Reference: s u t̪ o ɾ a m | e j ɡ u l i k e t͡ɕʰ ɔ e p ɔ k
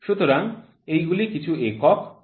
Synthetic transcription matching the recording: ʃ u t̪ o ɾ a ŋ | e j ɡ u l i k i t͡ɕʰ u e k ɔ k